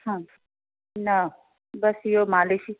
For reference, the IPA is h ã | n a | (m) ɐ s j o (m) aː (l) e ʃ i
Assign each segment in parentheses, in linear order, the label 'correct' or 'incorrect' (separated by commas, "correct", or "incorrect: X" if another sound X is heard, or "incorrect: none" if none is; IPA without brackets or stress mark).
incorrect: b, correct, correct